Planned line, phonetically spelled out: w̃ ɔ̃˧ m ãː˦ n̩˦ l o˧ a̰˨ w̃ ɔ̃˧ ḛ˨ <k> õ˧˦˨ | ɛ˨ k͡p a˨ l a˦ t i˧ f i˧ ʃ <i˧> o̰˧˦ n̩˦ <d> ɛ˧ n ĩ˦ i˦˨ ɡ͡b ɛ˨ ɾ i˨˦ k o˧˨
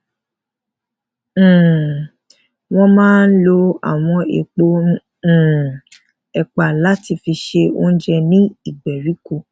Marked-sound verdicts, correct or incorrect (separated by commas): incorrect, incorrect, incorrect